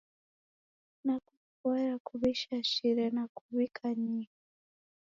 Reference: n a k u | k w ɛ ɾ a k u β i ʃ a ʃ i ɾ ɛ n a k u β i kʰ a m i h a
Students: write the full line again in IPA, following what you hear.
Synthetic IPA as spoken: n a k u | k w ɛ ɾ a k u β i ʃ a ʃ i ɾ ɛ n a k u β i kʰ a ɲ i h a